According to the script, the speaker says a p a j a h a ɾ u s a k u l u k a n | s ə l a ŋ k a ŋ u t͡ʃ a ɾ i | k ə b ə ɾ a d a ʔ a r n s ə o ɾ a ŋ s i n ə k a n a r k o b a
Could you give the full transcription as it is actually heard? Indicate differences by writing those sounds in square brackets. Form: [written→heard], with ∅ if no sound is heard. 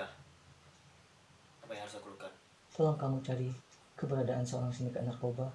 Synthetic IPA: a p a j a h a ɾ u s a k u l u k a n | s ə l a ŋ k a [ŋ→m] u t͡ʃ a ɾ i | k ə b ə ɾ a d a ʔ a [r→∅] n s ə o ɾ a ŋ s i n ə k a n a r k o b a

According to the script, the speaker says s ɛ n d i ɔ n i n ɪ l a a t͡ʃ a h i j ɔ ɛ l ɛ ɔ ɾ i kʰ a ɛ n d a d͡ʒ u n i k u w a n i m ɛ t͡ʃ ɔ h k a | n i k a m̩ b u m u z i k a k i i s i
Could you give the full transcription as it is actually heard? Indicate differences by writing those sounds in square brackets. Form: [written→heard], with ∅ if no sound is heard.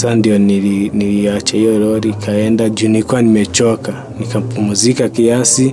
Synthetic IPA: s [ɛ→a] n d i ɔ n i n [ɪ→i] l [a→i] a t͡ʃ a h i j ɔ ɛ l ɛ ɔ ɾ i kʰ a ɛ n d a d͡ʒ u n i k u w a n i m ɛ t͡ʃ ɔ [h→∅] k a | n i k a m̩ [b→p] u m u z i k a k i [i→a] s i

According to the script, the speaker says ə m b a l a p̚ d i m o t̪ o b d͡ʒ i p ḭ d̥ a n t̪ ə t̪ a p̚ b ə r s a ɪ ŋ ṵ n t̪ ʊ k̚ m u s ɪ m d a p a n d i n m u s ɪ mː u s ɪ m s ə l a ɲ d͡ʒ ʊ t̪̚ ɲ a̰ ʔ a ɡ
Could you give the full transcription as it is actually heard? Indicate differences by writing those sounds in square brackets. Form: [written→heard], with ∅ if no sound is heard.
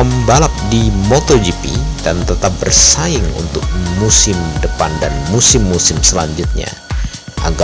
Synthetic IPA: ə m b a l a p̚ d i m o t̪ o [b→∅] d͡ʒ i p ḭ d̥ a n t̪ ə t̪ a p̚ b ə r s a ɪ ŋ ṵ n t̪ ʊ k̚ m u s ɪ m d [a→ə] p a n d [i→a] n m u s ɪ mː u s ɪ m s ə l a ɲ d͡ʒ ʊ t̪̚ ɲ a̰ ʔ a ɡ

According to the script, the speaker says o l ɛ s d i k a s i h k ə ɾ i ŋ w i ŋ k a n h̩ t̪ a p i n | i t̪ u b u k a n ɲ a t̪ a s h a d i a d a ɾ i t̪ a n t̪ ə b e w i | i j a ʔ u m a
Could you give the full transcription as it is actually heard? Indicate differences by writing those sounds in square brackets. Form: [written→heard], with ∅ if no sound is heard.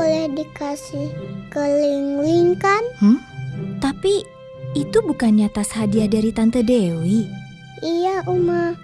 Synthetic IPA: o l ɛ [s→h] d i k a s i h k ə [ɾ→l] i ŋ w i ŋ k a n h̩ t̪ a p i [n→∅] | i t̪ u b u k a n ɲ a t̪ a s h a d i a d a ɾ i t̪ a n t̪ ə [b→d] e w i | i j a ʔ u m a

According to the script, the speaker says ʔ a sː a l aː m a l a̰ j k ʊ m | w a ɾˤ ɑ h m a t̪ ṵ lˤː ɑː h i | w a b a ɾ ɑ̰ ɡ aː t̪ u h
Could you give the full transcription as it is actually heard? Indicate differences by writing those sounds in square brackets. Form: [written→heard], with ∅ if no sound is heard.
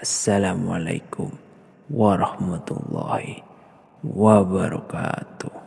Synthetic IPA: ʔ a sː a l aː m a l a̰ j k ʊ m | w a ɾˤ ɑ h m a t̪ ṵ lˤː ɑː h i | w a b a ɾ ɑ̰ [ɡ→k] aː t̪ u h

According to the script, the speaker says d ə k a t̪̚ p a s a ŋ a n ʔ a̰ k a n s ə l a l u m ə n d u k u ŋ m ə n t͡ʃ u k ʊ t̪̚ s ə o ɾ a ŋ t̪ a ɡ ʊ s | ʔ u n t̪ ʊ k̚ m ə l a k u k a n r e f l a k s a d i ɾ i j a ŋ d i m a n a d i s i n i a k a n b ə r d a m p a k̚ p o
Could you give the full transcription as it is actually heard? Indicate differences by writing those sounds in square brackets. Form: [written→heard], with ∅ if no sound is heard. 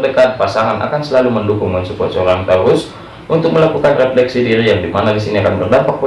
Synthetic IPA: d ə k a t̪̚ p a s a ŋ a n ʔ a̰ k a n s ə l a l u m ə n d u k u ŋ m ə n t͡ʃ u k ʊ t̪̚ s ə o ɾ a ŋ t̪ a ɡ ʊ s | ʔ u n t̪ ʊ k̚ m ə l a k u k a n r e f l [a→ɛ] k s [a→i] d i ɾ i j a ŋ d i m a n a d i s i n i a k a n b ə r d a m p a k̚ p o

